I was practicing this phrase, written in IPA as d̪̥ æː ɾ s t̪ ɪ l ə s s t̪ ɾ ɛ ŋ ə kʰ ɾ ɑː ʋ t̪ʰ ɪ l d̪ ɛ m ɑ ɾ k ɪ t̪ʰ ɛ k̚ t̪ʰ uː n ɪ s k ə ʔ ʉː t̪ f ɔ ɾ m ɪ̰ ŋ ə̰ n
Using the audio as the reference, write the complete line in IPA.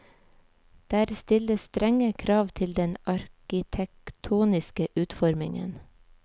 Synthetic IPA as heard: d̪̥ æː ɾ s t̪ ɪ l ə s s t̪ ɾ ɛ ŋ ə kʰ ɾ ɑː ʋ t̪ʰ ɪ l d̪ ɛ n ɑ ɾ k ɪ t̪ʰ ɛ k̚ t̪ʰ uː n ɪ s k ə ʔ ʉː t̪ f ɔ ɾ m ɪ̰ ŋ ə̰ n

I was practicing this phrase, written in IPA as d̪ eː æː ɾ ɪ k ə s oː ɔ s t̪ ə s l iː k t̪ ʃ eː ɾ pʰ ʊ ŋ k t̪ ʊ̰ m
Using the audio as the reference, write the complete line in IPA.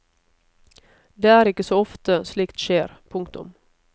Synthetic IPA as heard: d̪ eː æː ɾ ɪ k ə s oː ɔ f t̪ ə s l iː k t̪ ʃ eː ɾ pʰ ʊ ŋ k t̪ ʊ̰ m

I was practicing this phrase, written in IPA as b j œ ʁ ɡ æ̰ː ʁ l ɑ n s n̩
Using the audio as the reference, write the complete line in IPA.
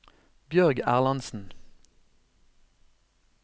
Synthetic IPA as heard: b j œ ʁ ɡ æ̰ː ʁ l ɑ n s n̩

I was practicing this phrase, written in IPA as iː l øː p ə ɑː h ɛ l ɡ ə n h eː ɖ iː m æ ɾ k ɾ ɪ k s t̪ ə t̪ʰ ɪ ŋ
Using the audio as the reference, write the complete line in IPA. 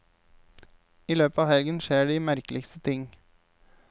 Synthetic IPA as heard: iː l øː p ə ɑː h ɛ l ɡ ə n ʃ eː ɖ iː m æ ɾ k l ɪ k s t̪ ə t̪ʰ ɪ ŋ

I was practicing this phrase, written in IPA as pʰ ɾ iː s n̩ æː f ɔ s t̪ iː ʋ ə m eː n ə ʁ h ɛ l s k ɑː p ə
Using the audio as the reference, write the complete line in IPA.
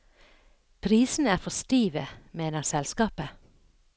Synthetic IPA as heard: pʰ ɾ iː s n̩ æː f ɔ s t̪ iː ʋ ə m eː n ə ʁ s ɛ l s k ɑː p ə

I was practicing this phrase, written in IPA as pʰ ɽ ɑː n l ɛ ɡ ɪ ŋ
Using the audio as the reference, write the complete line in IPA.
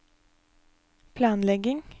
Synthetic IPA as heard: pʰ l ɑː n l ɛ ɡ ɪ ŋ

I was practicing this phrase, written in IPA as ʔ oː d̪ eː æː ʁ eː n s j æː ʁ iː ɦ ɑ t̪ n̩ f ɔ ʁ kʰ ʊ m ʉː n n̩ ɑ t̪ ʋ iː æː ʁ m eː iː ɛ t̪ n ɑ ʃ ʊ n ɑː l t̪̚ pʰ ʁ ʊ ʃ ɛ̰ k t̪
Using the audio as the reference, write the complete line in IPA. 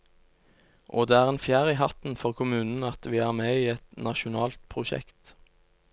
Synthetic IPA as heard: ʔ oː d̪ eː æː ʁ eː n f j æː ʁ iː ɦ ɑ t̪ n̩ f ɔ ʁ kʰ ʊ m ʉː n n̩ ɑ t̪ ʋ iː æː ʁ m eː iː ɛ t̪ n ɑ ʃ ʊ n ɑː l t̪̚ pʰ ʁ ʊ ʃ ɛ̰ k t̪

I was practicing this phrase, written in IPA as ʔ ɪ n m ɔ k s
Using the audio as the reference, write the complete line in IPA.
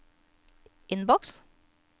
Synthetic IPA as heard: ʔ ɪ n b ɔ k s

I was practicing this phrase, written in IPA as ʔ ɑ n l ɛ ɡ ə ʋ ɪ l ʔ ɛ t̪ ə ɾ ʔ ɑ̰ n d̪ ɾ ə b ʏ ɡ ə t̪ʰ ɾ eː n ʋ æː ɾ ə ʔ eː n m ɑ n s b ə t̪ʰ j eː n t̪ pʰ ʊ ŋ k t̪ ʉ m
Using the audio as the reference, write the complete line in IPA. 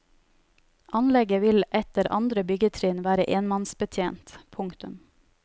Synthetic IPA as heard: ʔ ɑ n l ɛ ɡ ə ʋ ɪ l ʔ ɛ t̪ ə ɾ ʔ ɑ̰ n d̪ ɾ ə b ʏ ɡ ə t̪ʰ ɾ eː n ʋ æː ɾ ə ʔ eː n m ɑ n s b ə t̪ʰ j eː n t̪ pʰ ʊ ŋ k t̪ ʉ m

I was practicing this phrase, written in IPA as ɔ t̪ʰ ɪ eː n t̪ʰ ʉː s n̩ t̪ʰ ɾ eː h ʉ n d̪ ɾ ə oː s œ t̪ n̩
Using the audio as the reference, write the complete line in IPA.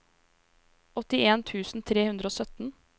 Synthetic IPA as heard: ɔ t̪ ɪ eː n t̪ʰ ʉː s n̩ t̪ʰ ɾ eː h ʉ n d̪ ɾ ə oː s œ t̪ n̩

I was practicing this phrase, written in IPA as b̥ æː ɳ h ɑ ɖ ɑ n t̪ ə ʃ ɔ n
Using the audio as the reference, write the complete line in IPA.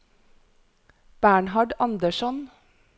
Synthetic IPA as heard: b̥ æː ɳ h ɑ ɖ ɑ n d̪ ə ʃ ɔ n

